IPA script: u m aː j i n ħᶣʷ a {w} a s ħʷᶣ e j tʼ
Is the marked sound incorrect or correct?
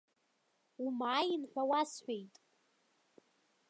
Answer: correct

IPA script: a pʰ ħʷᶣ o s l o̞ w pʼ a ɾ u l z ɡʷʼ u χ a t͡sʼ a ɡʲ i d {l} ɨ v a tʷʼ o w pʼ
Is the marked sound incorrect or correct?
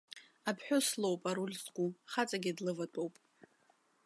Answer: correct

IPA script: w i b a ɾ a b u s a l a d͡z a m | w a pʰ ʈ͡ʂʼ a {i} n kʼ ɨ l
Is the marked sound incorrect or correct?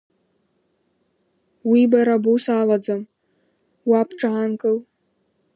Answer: incorrect: a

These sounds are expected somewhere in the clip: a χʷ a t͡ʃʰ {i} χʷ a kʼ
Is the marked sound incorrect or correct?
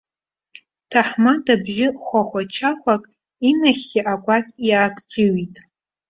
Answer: incorrect: a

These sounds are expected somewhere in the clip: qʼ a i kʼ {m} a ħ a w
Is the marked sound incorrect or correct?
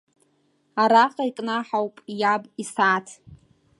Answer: incorrect: n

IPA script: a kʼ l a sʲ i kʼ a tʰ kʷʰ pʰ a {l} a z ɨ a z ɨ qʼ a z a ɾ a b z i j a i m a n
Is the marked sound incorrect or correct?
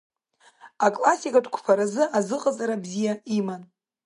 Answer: incorrect: ɾ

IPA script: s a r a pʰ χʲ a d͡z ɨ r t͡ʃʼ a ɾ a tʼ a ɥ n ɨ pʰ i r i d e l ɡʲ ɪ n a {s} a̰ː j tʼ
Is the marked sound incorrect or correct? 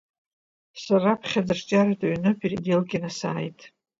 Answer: correct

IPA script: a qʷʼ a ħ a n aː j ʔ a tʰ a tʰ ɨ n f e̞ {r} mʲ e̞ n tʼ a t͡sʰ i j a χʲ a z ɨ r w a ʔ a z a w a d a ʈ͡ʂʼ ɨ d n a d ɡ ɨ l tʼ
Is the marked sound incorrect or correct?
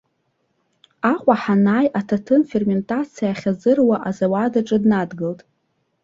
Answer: correct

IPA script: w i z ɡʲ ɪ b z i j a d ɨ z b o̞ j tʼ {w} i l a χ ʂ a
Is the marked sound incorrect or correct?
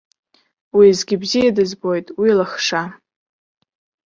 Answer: correct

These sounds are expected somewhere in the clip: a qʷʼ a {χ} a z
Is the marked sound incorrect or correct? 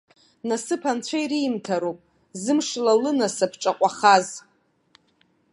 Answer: correct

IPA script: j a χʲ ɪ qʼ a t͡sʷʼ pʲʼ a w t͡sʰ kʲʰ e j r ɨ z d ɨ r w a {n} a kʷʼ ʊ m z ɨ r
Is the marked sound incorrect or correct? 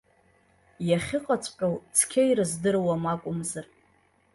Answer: incorrect: m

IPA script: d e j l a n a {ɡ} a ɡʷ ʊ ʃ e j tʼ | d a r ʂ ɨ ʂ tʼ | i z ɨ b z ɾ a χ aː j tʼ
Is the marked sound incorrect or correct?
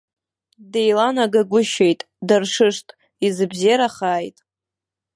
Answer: correct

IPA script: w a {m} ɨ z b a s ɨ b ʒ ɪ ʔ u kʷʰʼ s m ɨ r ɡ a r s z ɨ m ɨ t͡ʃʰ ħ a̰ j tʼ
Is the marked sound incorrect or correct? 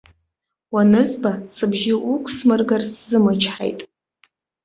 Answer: incorrect: n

